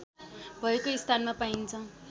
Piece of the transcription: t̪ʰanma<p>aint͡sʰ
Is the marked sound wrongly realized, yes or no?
no